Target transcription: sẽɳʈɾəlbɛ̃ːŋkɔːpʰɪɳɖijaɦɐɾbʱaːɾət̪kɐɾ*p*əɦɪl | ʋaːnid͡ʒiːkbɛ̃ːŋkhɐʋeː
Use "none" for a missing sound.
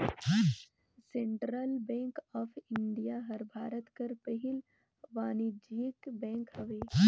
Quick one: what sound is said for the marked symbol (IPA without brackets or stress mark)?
p